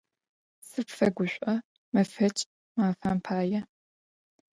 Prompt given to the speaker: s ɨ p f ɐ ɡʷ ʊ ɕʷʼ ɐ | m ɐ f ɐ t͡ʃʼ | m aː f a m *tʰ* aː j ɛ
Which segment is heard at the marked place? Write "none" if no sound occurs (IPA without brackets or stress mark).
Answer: pʰ